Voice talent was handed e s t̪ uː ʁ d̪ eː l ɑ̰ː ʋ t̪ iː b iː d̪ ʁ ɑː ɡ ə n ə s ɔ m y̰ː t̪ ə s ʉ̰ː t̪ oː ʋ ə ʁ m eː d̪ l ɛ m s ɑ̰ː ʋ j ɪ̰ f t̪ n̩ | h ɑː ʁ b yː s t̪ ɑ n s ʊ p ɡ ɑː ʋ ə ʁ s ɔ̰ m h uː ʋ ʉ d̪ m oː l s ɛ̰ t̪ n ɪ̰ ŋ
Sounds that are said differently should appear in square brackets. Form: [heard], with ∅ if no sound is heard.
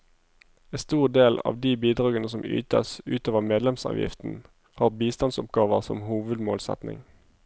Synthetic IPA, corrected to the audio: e s t̪ uː ʁ d̪ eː l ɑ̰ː ʋ [d̪] iː b iː d̪ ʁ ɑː ɡ ə n ə s ɔ m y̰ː t̪ ə s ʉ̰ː t̪ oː ʋ ə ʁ m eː d̪ l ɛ m s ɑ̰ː ʋ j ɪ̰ f t̪ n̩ | h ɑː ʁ b [iː] s t̪ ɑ n s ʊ p ɡ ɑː ʋ ə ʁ s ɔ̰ m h uː ʋ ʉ d̪ m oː l s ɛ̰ t̪ n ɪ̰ ŋ

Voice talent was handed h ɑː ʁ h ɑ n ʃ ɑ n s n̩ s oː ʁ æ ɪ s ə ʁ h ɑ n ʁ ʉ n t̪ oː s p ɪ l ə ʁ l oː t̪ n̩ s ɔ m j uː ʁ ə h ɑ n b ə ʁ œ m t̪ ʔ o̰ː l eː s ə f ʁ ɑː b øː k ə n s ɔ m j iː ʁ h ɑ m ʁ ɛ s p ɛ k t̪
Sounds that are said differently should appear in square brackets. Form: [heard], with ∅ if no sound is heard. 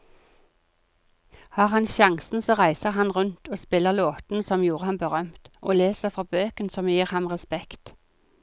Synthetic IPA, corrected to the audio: h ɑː ʁ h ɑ n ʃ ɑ [ŋ] s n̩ s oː ʁ æ ɪ s ə ʁ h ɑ n ʁ ʉ n t̪ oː s p ɪ l ə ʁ l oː t̪ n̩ s ɔ m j uː ʁ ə h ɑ n b ə ʁ œ m t̪ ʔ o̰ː l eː s ə f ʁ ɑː b øː k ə n s ɔ m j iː ʁ h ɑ m ʁ ɛ s p ɛ k t̪

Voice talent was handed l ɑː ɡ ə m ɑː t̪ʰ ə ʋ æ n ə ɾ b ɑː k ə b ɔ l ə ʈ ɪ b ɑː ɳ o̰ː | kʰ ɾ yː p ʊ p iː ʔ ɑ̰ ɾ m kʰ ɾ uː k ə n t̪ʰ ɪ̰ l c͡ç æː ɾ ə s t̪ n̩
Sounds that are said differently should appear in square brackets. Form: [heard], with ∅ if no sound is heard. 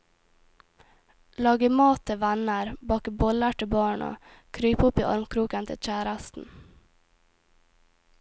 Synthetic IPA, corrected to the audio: l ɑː ɡ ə m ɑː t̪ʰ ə ʋ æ n ə ɾ b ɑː k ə b ɔ l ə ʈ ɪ b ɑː ɳ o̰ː | kʰ ɾ yː p ʊ p iː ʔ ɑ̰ ɾ m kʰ ɾ uː k ə n t̪ʰ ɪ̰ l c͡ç æː ɾ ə s t̪ n̩

